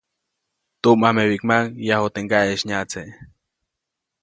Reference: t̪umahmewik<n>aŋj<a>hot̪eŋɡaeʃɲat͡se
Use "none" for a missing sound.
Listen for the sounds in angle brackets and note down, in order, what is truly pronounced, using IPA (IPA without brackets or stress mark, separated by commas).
m, a